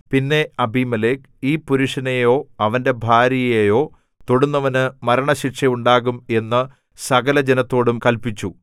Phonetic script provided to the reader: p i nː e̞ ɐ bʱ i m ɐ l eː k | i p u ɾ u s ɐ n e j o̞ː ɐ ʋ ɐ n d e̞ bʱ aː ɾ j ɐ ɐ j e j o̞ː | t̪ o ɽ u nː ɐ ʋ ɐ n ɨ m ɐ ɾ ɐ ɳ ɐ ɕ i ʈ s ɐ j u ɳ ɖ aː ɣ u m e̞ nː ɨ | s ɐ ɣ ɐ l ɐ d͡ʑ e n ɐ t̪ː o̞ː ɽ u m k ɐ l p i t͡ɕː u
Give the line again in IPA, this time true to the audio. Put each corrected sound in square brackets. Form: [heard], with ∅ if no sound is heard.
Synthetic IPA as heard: p i nː e̞ ɐ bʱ i m ɐ l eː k | [iː] p u ɾ u [ʂ] ɐ n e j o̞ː ɐ ʋ ɐ n d e̞ bʱ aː ɾ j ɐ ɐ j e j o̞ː | t̪ o ɽ u nː ɐ ʋ ɐ n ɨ m ɐ ɾ ɐ ɳ ɐ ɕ i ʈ [ʂ] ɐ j u ɳ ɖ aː ɣ u m e̞ nː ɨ | s ɐ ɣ ɐ l ɐ d͡ʑ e n ɐ t̪ː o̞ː ɽ u m k ɐ l p i t͡ɕː u

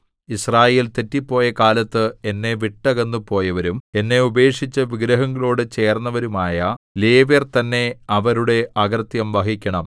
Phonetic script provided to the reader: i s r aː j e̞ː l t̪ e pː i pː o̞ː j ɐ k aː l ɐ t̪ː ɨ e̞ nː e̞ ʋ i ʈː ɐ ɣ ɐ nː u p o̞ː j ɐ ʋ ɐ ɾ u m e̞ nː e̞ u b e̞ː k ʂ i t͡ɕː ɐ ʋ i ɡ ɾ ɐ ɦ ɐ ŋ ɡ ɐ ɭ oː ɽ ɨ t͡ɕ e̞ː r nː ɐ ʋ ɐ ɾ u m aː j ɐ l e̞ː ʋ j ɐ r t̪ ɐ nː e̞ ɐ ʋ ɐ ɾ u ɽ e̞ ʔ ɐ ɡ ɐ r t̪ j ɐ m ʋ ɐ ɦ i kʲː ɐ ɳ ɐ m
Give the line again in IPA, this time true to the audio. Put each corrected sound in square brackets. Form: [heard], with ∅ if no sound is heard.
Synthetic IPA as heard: i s r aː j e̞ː l t̪ e [tː] i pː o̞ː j ɐ k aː l ɐ t̪ː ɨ e̞ nː e̞ ʋ i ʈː ɐ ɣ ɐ nː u p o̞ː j ɐ ʋ ɐ ɾ u m e̞ nː e̞ u b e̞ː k ʂ i t͡ɕː ɐ ʋ i ɡ ɾ ɐ ɦ ɐ ŋ ɡ ɐ ɭ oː ɽ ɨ t͡ɕ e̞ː r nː ɐ ʋ ɐ ɾ u m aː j ɐ l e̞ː ʋ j ɐ r t̪ ɐ nː e̞ ɐ ʋ ɐ ɾ u ɽ e̞ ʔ ɐ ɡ ɐ r t̪ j ɐ m ʋ ɐ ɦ i kʲː ɐ ɳ ɐ m

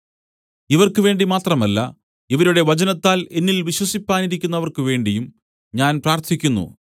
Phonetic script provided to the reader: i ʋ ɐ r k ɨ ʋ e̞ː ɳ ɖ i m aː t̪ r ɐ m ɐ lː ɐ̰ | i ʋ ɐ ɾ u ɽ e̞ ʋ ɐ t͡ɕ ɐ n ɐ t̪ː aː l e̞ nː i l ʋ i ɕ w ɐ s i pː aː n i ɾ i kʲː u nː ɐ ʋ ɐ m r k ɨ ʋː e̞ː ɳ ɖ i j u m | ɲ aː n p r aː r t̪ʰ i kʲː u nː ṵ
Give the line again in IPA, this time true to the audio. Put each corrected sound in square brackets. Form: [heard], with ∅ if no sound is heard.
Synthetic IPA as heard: i ʋ ɐ r k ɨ ʋ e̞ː ɳ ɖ i m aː t̪ r ɐ m ɐ lː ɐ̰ | i ʋ ɐ ɾ u ɽ e̞ ʋ ɐ t͡ɕ ɐ n ɐ t̪ː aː l e̞ nː i l ʋ i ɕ w ɐ s i pː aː n i ɾ i kʲː u nː ɐ ʋ ɐ [∅] r k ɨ [ʋ] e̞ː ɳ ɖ i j u m | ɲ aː n p r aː r t̪ʰ i kʲː u nː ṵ

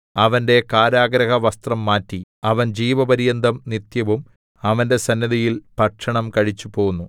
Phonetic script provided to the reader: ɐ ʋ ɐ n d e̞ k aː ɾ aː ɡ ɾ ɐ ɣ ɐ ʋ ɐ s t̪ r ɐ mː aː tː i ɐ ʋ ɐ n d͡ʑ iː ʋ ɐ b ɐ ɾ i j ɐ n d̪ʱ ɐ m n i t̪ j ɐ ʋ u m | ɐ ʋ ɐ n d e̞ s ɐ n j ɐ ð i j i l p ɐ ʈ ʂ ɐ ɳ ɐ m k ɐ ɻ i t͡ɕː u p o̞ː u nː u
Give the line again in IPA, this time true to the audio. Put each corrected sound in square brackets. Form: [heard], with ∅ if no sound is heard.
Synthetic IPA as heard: ɐ ʋ ɐ n d e̞ k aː ɾ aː ɡ ɾ ɐ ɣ ɐ ʋ ɐ s t̪ r ɐ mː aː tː i ɐ ʋ ɐ n d͡ʑ iː ʋ ɐ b ɐ ɾ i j ɐ n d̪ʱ ɐ m n i t̪ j ɐ ʋ u m | ɐ ʋ ɐ n d e̞ s ɐ n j ɐ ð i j i l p ɐ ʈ ʂ ɐ ɳ ɐ m k ɐ ɻ i t͡ɕː u p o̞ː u nː u

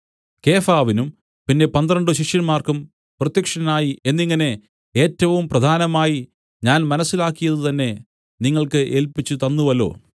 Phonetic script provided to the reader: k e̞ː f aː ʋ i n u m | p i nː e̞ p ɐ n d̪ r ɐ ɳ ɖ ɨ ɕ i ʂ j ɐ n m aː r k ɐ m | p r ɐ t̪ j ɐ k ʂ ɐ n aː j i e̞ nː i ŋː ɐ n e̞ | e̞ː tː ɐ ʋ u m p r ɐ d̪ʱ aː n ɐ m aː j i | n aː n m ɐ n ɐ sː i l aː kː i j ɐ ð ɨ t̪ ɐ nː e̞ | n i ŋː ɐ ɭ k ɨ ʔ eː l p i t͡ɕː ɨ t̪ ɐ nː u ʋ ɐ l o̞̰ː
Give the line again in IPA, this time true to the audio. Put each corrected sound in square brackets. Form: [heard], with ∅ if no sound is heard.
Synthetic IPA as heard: k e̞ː f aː ʋ i n u m | p i nː e̞ p ɐ n d̪ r ɐ ɳ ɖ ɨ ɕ i ʂ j ɐ n m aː r k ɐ m | p r ɐ t̪ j ɐ k ʂ ɐ n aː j i e̞ nː i ŋː ɐ n e̞ | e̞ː tː ɐ ʋ u m p r ɐ d̪ʱ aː n ɐ m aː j i | [ɲ] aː n m ɐ n ɐ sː i l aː kː i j ɐ ð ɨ t̪ ɐ nː e̞ | n i ŋː ɐ ɭ k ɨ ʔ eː l p i t͡ɕː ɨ t̪ ɐ nː u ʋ ɐ l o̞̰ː

